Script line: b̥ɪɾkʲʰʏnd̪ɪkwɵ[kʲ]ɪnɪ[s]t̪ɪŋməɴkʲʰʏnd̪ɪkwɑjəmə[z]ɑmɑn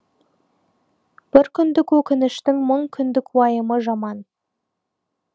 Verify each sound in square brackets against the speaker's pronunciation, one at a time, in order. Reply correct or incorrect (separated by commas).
correct, incorrect, incorrect